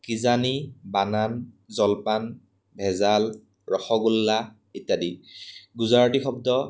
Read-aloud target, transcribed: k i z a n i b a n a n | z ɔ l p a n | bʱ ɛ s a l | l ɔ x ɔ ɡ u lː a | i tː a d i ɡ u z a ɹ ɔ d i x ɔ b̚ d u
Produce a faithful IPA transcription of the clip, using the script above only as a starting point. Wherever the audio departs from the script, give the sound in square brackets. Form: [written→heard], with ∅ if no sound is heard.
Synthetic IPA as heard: k i z a n i b a n a n | z ɔ l p a n | bʱ ɛ [s→z] a l | [l→ɹ] ɔ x ɔ ɡ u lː a | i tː a d i ɡ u z a ɹ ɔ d i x ɔ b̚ d [u→ɔ]